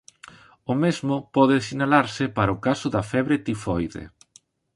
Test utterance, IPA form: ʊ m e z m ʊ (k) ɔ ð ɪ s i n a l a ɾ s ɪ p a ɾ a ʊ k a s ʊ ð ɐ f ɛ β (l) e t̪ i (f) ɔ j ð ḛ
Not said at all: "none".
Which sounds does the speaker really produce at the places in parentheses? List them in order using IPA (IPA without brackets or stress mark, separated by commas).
p, ɾ, f